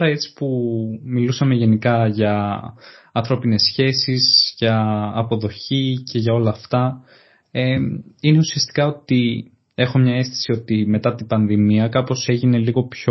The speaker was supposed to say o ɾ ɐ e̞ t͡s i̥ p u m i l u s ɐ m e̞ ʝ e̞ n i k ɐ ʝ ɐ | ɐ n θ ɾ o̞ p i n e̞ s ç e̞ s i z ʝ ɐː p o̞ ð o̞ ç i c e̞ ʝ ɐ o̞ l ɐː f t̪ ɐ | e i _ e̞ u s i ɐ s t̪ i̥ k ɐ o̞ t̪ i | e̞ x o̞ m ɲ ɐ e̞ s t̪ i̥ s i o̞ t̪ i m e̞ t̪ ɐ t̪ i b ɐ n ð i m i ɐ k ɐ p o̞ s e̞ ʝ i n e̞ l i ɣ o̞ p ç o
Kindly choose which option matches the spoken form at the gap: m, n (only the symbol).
n